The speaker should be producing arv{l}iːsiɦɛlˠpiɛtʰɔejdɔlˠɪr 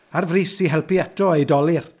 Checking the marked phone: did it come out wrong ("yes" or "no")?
yes